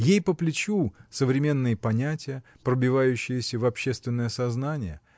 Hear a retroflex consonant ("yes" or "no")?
no